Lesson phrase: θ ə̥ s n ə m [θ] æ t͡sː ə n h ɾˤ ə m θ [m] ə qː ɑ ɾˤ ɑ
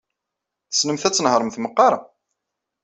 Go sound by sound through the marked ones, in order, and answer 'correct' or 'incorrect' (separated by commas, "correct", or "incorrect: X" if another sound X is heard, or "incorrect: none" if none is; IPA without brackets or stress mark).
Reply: correct, correct